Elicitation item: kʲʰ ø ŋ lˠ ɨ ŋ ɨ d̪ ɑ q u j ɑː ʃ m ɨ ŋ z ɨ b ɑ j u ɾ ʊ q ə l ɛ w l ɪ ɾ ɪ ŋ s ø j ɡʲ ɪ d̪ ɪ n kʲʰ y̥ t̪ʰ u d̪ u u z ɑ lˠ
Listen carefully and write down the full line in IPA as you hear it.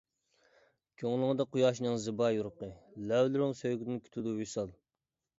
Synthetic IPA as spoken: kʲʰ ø ŋ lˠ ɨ ŋ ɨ d̪ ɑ q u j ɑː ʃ n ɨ ŋ z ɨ b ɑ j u ɾ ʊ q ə l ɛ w l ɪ ɾ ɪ ŋ s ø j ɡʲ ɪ d̪ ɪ n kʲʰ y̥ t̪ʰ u d̪ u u s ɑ lˠ